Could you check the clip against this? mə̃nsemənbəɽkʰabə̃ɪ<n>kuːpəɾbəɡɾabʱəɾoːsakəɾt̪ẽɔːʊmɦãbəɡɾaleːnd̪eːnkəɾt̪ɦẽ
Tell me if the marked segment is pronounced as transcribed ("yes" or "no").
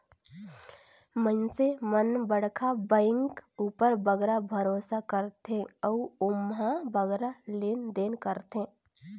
no